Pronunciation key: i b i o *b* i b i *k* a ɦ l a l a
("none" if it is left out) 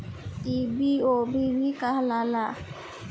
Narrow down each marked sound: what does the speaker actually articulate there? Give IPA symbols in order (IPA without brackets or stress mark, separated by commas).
b, k